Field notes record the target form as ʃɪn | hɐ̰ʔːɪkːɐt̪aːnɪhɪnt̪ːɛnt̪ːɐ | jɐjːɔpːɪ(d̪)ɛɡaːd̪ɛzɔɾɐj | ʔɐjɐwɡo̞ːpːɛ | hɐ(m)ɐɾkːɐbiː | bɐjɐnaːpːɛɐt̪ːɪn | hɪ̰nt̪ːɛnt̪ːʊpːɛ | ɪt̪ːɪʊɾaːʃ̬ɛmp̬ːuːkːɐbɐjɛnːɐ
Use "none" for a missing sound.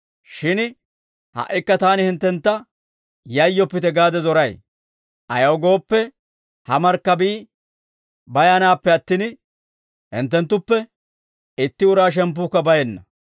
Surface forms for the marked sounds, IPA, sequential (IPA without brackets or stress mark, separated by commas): t̪, m